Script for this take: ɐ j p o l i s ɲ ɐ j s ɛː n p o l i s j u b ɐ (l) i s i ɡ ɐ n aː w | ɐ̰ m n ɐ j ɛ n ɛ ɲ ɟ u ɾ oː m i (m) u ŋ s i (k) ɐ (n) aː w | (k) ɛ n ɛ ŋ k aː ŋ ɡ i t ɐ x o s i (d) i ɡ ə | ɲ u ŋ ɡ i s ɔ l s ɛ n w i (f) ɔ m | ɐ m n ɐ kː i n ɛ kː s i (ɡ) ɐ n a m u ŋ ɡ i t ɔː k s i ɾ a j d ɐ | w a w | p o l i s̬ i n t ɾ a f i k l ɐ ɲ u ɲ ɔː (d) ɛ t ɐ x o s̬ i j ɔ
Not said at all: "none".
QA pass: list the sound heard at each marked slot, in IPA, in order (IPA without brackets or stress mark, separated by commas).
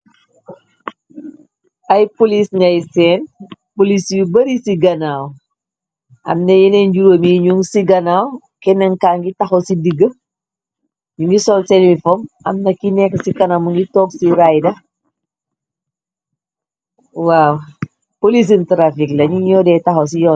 ɾ, ɲ, ɡ, n, k, d, f, k, d